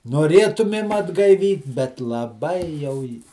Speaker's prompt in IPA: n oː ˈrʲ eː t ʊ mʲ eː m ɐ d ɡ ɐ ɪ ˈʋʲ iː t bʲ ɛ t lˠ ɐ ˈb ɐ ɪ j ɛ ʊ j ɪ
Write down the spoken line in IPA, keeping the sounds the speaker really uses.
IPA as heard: n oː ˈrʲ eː t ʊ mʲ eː m ɐ d ɡ ɐ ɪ ˈʋʲ iː t bʲ ɛ t lˠ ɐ ˈb ɐ ɪ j ɛ ʊ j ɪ